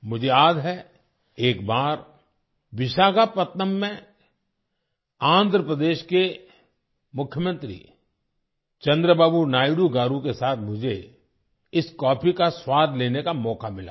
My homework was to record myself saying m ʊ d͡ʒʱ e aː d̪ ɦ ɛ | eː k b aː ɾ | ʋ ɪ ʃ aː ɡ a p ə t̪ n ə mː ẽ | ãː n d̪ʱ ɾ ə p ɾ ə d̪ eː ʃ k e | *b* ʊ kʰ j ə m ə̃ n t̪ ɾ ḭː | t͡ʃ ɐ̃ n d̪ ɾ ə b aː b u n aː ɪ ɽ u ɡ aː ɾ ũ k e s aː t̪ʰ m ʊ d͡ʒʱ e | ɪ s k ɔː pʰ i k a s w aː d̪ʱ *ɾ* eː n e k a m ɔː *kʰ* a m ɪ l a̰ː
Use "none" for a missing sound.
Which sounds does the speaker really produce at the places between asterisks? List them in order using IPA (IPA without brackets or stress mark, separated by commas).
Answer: m, l, k